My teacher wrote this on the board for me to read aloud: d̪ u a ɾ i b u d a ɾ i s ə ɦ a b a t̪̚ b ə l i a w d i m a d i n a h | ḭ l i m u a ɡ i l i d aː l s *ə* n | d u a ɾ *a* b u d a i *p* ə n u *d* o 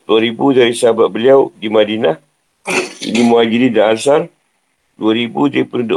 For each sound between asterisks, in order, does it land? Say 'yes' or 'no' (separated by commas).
no, no, yes, yes